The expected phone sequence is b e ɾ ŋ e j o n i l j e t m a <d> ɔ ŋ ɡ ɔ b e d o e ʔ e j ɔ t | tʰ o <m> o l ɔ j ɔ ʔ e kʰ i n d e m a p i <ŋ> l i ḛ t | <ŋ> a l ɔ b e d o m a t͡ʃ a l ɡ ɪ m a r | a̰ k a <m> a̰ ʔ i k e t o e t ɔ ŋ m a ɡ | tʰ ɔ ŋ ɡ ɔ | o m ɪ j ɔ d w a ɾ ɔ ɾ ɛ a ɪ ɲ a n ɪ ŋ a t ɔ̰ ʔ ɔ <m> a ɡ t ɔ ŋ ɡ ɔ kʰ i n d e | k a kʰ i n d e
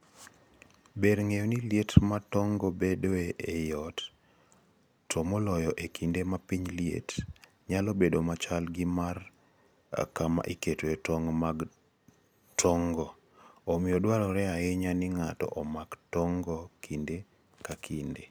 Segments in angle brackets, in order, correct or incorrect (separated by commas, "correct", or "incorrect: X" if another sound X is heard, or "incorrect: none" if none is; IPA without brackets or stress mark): incorrect: t, correct, incorrect: ɲ, incorrect: ɲ, correct, correct